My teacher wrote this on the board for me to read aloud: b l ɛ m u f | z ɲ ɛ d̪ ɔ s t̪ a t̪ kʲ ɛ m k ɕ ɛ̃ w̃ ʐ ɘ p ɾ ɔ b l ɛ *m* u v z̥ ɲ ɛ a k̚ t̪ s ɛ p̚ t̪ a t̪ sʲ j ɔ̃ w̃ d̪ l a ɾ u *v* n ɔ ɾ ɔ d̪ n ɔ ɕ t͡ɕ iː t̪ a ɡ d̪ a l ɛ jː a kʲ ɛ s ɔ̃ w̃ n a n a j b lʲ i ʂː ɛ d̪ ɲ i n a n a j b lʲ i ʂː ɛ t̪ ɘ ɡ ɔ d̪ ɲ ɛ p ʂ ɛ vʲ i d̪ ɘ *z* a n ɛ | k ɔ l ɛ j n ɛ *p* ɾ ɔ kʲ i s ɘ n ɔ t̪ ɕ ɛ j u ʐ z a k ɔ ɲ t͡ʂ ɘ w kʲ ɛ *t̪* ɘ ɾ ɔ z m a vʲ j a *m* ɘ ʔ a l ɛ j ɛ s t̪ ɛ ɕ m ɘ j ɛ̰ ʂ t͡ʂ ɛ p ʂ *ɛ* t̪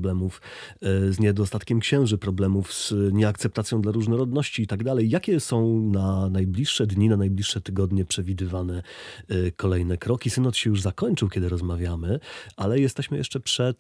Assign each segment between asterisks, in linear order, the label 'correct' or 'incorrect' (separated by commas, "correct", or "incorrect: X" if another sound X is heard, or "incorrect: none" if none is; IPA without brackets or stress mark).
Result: correct, incorrect: ʐ, incorrect: v, incorrect: k, incorrect: d̪, correct, correct